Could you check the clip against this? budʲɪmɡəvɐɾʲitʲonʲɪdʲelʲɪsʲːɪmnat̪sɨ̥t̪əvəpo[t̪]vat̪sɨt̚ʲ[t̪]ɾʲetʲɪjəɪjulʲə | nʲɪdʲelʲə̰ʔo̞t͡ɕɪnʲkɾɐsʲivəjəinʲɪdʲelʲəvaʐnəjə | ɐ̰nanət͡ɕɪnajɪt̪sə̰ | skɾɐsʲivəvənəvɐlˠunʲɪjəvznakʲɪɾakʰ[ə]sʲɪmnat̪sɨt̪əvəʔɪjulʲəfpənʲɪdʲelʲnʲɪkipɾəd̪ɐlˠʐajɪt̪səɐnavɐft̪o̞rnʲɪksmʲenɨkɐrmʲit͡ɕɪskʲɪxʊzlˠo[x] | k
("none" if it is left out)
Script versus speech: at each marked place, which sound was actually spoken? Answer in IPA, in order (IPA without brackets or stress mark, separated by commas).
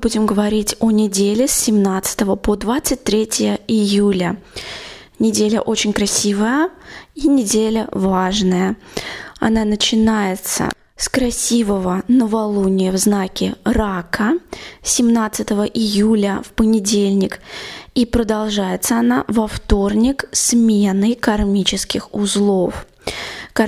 d̪, t̪, ə, f